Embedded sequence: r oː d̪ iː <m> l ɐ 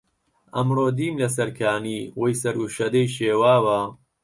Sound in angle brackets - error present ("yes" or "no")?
no